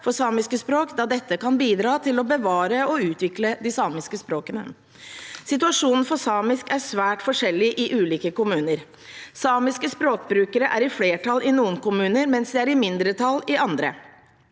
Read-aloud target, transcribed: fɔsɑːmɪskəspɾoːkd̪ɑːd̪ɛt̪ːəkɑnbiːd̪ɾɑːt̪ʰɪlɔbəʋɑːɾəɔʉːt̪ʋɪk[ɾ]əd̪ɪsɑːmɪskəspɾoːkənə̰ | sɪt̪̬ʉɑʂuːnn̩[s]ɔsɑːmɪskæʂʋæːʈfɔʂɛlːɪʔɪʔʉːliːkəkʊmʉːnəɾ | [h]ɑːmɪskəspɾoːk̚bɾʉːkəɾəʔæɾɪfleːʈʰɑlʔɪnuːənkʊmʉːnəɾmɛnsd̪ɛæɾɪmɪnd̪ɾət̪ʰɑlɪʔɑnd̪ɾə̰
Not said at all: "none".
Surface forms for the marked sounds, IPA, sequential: l, f, s

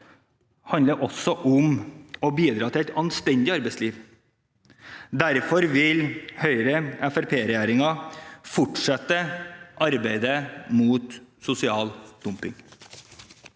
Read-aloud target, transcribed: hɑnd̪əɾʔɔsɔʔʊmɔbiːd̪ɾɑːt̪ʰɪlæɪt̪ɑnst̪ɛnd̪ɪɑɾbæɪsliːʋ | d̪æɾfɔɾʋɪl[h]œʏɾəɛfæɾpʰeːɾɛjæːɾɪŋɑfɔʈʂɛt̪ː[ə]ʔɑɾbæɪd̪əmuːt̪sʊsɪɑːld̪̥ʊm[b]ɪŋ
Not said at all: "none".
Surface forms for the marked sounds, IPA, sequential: h, ə, p

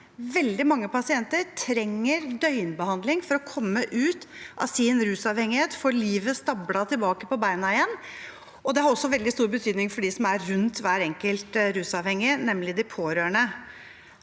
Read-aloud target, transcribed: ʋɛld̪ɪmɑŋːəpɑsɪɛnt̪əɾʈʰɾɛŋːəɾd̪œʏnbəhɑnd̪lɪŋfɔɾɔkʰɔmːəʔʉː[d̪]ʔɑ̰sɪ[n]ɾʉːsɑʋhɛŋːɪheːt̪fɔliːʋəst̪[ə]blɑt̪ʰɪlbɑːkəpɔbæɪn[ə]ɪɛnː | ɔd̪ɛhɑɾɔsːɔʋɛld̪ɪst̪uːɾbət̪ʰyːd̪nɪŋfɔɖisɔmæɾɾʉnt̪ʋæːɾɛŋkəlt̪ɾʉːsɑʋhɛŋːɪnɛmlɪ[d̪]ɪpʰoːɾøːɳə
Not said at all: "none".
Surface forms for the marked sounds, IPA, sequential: t̪, n, ɑ, ɑ, d̪

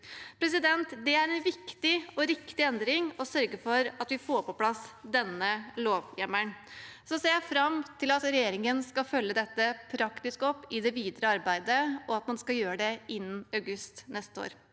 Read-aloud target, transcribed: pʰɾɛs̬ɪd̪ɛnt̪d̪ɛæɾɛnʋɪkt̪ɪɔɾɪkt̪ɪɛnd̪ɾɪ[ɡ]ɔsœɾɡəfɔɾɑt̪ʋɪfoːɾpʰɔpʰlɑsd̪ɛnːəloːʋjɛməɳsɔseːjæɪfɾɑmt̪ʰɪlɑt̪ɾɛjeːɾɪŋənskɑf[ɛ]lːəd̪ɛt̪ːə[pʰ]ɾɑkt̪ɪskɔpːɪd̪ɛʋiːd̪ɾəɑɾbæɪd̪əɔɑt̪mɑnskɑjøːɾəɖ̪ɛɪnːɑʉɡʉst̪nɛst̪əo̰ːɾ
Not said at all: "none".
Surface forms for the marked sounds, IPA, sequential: ŋ, œ, pʰ

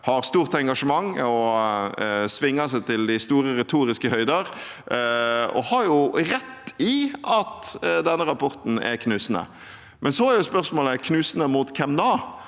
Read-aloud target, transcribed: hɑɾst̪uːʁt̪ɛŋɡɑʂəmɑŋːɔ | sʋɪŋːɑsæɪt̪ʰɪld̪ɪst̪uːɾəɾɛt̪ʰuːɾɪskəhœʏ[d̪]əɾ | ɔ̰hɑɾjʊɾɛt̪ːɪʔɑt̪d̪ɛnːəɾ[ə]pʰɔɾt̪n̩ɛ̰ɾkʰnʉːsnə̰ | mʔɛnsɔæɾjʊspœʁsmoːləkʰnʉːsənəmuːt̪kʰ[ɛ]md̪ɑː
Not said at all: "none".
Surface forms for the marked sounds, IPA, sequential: d̪, ɑ, ɛ

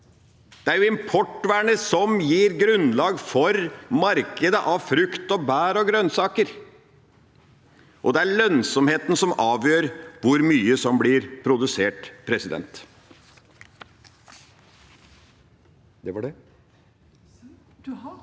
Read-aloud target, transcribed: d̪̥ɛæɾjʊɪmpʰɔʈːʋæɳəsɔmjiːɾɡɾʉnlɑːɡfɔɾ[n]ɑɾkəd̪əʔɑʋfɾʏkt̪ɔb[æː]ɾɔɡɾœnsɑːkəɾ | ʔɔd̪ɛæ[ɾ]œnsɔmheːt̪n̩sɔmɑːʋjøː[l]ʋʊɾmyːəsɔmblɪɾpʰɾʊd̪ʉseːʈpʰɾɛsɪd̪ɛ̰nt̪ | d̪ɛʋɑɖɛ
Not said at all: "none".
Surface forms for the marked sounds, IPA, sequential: m, æː, ɭ, ɾ

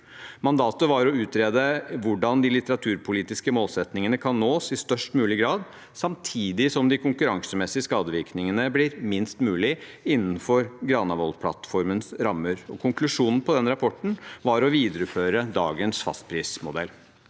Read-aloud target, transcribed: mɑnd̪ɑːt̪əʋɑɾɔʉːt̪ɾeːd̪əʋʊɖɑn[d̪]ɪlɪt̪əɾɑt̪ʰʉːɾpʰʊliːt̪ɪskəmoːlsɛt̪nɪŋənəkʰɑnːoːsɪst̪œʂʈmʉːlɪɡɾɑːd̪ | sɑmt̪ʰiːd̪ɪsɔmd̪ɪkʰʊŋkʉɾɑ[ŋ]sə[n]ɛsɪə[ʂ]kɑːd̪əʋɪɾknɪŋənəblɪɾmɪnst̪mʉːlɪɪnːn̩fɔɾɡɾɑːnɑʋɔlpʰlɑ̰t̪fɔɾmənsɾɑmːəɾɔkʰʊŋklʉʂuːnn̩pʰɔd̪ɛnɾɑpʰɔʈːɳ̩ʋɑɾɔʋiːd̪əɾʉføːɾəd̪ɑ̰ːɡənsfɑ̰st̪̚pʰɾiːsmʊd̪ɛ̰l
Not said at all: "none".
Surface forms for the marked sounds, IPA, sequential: d̪, ŋ, m, s

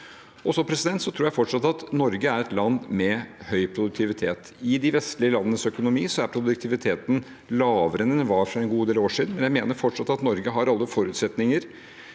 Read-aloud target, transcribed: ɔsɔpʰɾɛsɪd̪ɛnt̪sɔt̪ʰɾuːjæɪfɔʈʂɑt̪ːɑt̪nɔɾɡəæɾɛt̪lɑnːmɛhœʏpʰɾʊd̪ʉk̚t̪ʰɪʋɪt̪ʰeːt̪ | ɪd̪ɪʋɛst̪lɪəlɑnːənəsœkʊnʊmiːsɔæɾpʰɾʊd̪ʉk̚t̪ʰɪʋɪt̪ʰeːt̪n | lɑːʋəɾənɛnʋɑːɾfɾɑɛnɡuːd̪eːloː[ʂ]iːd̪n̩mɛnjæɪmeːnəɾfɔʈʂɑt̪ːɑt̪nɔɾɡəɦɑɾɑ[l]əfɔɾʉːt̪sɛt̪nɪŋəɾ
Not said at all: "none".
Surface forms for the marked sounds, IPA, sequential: ʂ, lː

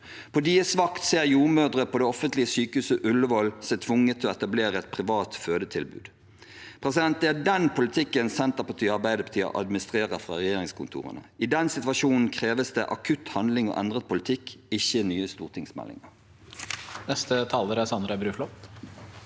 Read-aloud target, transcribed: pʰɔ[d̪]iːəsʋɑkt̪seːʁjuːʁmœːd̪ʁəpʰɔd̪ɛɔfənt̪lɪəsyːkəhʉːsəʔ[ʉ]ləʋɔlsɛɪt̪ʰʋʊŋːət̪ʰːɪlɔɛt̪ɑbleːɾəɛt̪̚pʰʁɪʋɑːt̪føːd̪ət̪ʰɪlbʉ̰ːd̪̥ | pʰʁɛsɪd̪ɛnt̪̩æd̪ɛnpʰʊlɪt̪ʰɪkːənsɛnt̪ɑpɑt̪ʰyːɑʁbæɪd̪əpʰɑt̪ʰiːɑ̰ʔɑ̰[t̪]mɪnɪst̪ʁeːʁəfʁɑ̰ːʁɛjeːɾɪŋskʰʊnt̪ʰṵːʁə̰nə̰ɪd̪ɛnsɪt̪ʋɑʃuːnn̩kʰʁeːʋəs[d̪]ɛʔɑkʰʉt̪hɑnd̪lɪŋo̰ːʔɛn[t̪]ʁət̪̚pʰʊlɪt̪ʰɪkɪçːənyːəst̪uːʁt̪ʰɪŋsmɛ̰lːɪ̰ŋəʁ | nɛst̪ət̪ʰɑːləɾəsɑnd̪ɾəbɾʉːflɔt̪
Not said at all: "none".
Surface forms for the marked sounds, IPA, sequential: d̪, ʉ, d̪, d̪, d̪

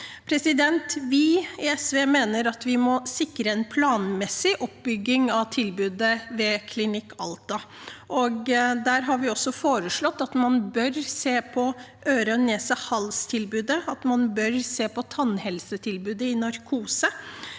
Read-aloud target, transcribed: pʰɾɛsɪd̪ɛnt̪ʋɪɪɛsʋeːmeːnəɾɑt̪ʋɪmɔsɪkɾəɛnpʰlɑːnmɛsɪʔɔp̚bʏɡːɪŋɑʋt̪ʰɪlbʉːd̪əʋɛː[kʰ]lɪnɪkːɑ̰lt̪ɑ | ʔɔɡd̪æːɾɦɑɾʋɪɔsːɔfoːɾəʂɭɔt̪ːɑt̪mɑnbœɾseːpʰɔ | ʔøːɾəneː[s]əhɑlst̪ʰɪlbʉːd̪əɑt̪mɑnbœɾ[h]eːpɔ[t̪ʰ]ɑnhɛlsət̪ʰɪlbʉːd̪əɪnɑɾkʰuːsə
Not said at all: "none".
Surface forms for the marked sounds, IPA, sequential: kʰ, s, s, t̪ʰ

